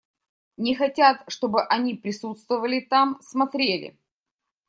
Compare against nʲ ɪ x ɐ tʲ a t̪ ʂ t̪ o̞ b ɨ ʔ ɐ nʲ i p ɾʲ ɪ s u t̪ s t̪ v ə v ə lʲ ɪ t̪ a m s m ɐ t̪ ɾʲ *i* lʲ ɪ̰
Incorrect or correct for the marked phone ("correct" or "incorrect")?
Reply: incorrect